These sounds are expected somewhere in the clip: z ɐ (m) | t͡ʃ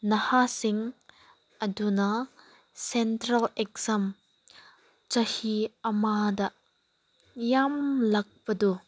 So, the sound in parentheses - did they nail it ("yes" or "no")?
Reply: yes